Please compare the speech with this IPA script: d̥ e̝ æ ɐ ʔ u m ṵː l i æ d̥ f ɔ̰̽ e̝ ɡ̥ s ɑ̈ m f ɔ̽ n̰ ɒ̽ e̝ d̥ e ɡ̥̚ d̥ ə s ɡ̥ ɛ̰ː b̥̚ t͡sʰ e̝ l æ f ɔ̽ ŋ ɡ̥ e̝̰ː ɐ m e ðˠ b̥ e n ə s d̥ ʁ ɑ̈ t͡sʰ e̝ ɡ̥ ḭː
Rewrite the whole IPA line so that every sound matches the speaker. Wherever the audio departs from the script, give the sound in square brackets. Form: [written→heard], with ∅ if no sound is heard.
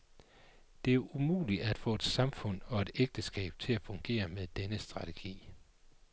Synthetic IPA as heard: d̥ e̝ æ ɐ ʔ u m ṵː l i æ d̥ f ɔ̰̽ e̝ [ɡ̥→d̥] s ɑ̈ m f ɔ̽ n̰ ɒ̽ e̝ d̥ e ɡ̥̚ d̥ ə s ɡ̥ ɛ̰ː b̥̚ t͡sʰ e̝ l æ f ɔ̽ ŋ ɡ̥ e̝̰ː ɐ m e ðˠ [b̥→d̥] e n ə s d̥ ʁ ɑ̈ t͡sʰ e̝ ɡ̥ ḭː